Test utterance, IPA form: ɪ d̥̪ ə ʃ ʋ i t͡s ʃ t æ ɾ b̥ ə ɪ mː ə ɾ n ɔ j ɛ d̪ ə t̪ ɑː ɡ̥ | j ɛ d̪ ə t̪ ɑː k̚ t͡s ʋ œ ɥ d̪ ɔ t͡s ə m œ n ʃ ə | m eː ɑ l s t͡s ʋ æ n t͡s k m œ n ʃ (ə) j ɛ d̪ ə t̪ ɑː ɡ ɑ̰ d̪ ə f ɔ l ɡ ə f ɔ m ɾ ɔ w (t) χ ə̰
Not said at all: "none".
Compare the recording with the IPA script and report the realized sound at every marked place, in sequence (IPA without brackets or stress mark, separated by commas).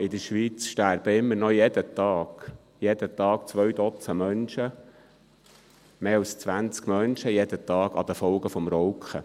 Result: ə, k